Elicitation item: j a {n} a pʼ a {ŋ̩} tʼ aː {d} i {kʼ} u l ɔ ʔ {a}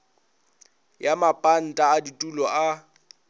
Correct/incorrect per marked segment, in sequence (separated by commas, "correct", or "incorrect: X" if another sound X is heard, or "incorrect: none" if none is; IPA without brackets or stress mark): incorrect: m, incorrect: n̩, correct, incorrect: tʼ, correct